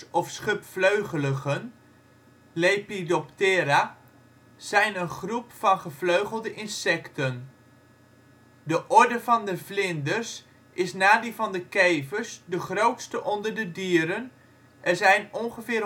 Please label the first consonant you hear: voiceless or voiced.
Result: voiceless